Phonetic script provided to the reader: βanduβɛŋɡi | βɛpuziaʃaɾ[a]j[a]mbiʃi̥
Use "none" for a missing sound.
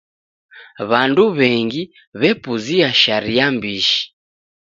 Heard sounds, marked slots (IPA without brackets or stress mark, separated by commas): i, a